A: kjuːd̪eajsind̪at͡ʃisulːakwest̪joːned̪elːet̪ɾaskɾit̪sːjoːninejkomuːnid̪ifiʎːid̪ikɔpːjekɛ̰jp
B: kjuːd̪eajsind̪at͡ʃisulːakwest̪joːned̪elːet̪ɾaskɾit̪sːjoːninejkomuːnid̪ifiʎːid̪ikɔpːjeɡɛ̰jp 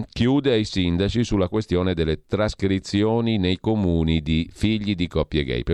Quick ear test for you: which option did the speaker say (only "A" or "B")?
B